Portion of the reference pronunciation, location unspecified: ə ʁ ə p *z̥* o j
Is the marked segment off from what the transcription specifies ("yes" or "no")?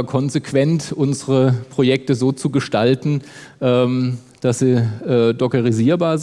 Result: yes